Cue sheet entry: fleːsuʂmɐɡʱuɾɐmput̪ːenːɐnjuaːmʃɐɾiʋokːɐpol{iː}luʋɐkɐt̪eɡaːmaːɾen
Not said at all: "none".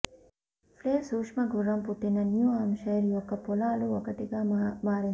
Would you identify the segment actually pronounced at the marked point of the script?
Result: aː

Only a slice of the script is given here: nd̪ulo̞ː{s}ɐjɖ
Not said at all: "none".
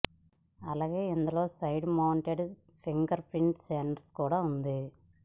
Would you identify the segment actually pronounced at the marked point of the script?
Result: s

